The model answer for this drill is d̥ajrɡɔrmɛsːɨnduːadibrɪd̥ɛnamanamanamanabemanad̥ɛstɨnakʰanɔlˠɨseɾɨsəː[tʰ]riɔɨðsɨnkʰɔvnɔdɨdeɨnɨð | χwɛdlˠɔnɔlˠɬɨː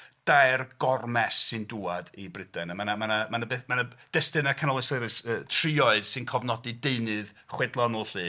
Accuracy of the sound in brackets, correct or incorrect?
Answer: correct